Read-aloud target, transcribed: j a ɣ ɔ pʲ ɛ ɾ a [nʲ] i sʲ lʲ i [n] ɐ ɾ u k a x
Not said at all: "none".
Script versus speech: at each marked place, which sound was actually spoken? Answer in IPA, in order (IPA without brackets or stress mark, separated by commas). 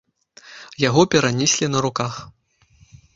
nʲ, n